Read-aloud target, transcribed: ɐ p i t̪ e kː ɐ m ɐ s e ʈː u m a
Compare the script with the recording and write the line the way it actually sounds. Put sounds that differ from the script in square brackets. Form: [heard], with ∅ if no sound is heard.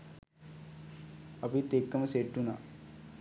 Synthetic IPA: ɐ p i t̪ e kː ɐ m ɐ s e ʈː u [n] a